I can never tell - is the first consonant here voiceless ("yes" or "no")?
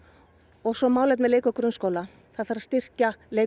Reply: no